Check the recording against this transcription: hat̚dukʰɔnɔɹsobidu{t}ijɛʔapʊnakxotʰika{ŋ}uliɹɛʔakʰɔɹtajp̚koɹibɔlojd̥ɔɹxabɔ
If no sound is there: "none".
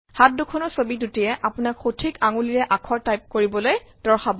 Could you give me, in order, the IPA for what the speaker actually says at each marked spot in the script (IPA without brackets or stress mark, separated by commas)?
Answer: t, ŋ